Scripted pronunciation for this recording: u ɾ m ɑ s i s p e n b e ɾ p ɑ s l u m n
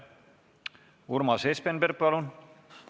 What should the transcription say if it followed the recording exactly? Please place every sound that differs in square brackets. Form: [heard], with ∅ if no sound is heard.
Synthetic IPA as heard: u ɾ m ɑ s [e] s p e n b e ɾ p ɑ [∅] l u [∅] n